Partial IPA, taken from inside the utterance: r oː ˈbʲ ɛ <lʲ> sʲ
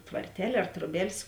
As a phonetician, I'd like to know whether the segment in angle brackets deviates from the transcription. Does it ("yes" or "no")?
no